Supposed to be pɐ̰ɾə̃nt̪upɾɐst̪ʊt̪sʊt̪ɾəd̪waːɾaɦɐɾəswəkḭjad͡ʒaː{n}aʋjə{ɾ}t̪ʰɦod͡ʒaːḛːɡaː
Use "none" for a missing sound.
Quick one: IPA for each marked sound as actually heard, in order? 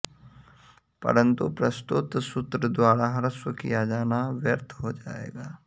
n, ɾ

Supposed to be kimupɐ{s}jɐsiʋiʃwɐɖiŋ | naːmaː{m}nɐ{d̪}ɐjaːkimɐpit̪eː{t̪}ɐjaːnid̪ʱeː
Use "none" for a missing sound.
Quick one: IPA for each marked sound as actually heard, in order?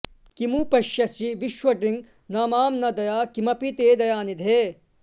ʃ, m, d̪, d̪

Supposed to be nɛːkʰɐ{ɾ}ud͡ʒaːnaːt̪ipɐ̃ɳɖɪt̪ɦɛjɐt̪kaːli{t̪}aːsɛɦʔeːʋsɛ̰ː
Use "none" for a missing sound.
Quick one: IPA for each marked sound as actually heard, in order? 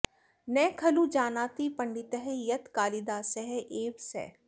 l, d̪

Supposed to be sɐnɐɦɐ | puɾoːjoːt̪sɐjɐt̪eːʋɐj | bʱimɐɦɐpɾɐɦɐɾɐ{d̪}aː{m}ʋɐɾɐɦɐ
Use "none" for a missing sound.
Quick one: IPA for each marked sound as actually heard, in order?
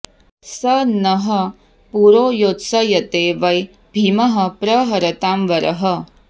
t̪, m

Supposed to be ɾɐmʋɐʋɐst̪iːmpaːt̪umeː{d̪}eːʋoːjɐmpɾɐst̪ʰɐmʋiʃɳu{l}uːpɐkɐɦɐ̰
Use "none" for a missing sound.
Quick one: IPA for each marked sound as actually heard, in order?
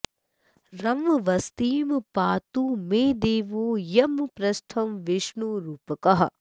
d̪, ɾ

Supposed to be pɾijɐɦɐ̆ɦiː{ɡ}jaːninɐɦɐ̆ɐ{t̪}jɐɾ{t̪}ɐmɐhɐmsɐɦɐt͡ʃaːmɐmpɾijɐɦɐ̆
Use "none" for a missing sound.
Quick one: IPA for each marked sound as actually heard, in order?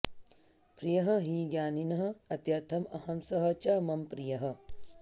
ɡ, t̪, t̪ʰ

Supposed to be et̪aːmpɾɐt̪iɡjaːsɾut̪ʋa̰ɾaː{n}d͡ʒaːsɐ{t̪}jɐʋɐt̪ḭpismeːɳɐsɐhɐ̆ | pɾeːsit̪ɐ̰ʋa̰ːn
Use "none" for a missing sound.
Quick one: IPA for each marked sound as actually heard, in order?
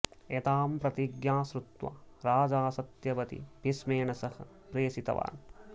none, t̪

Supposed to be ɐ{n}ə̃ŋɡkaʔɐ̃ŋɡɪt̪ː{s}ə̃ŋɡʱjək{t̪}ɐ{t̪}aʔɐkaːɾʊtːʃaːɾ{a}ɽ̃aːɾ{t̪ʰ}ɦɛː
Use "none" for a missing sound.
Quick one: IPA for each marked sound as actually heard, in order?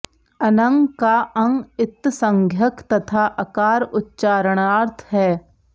n, s, t̪, t̪ʰ, ə, t̪ʰ

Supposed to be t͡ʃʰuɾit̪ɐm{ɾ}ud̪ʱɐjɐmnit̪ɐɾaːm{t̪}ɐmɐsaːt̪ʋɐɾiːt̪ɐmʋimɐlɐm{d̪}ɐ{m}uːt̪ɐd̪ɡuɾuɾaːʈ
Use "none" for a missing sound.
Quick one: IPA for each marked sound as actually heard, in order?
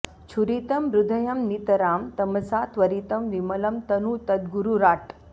ɾ, t̪, t̪, n

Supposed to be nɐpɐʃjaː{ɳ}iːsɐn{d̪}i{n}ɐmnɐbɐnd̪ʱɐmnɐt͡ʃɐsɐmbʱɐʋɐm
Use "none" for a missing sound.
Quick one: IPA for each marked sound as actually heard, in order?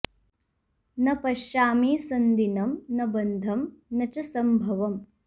m, d̪, n

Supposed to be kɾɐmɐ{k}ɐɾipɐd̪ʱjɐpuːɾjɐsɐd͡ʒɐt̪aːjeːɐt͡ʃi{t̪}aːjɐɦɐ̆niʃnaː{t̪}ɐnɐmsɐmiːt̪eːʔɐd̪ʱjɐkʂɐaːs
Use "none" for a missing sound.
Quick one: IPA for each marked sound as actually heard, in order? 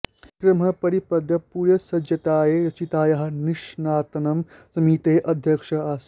p, t̪, t̪

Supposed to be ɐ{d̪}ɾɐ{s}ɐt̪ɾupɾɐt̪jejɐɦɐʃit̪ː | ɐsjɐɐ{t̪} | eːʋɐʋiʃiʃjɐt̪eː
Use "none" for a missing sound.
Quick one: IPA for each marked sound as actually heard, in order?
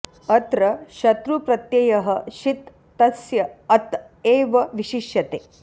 t̪, ʃ, t̪

